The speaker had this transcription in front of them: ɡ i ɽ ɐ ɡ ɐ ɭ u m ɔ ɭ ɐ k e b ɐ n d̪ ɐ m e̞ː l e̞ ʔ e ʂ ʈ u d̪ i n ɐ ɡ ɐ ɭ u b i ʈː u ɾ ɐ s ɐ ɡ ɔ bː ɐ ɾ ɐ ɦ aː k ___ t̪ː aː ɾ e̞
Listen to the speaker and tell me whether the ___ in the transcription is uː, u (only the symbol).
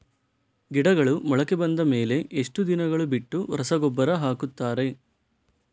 u